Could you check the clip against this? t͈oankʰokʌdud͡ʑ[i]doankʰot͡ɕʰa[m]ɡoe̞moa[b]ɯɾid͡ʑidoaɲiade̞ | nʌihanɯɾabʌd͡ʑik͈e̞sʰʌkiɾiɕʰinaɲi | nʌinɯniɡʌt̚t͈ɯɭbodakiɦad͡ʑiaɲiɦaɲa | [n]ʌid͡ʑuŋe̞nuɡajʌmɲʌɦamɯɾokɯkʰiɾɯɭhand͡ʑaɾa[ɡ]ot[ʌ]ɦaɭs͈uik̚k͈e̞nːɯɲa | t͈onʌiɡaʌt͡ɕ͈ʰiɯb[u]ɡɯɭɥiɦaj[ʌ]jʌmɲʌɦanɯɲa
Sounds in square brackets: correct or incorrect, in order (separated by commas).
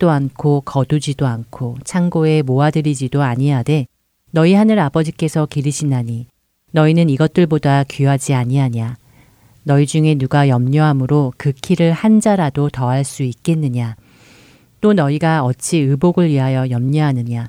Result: correct, incorrect, incorrect, correct, incorrect, correct, incorrect, correct